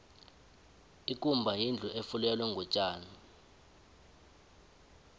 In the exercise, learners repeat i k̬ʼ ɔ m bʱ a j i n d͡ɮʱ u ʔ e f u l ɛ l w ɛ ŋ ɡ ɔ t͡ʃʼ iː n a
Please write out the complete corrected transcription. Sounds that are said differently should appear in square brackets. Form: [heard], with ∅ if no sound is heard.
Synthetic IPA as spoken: i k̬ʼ [u] m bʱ a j i n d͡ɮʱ u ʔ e f u l ɛ l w ɛ ŋ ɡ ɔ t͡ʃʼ [aː] n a

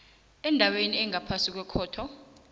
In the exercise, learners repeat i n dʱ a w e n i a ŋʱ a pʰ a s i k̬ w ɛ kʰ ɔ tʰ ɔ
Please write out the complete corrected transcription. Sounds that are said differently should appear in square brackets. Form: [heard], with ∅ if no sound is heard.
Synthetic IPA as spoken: [ɛ] n dʱ a w e n i [ɛ] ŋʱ a pʰ a s i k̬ w ɛ kʰ [ɔː] tʰ ɔ

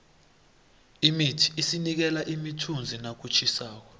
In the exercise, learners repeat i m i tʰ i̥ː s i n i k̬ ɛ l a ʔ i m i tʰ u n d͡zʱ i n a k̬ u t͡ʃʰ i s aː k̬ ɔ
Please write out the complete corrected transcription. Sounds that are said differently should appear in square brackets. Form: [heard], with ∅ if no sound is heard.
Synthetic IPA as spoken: i m i tʰ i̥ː s i n i k̬ ɛ l a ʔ i m i tʰ u n d͡zʱ i n a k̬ u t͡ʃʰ i s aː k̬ ɔ

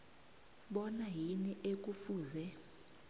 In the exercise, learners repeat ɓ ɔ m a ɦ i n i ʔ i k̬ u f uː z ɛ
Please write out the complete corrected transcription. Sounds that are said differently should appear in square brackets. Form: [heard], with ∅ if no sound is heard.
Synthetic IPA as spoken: ɓ ɔ [n] a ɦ i n i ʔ [e] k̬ u f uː z ɛ

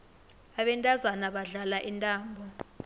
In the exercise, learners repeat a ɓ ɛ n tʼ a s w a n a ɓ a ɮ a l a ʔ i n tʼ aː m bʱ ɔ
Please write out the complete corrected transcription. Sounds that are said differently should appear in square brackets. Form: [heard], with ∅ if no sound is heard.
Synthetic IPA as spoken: a ɓ ɛ n tʼ a [z] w a n a ɓ a ɮ a l a ʔ i n tʼ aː m bʱ ɔ

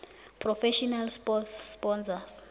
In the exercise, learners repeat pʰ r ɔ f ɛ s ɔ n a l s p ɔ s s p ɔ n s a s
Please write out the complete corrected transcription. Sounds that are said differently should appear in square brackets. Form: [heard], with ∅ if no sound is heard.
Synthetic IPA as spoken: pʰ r ɔ f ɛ [ʃ] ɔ n a l s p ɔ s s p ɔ n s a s

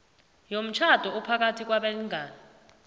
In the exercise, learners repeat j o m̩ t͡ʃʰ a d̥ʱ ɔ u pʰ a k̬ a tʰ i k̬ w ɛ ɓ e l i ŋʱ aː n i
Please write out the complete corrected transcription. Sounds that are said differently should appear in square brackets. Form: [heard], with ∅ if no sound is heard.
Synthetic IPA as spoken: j o m̩ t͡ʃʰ a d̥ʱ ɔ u pʰ a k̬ a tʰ i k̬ w [a] ɓ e l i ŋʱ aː n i

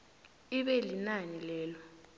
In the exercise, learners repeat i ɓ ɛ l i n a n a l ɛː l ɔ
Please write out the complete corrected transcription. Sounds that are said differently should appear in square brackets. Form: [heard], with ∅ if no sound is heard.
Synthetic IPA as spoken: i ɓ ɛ l i n a n [i] l ɛː l ɔ

